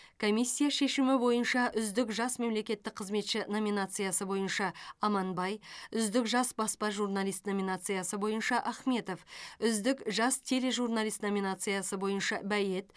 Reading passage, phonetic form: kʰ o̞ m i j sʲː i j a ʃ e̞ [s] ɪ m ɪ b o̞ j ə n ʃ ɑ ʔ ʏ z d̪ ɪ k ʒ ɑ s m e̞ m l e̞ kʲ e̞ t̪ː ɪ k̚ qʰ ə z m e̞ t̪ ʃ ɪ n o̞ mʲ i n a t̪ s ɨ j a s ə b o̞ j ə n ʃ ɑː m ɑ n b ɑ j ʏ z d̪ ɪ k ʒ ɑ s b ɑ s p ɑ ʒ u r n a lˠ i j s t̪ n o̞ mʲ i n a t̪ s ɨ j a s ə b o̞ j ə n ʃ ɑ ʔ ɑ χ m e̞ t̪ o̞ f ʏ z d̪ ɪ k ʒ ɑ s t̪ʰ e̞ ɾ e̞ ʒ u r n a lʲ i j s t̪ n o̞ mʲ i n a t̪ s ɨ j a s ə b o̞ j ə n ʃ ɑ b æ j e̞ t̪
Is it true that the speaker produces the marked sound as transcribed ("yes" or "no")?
no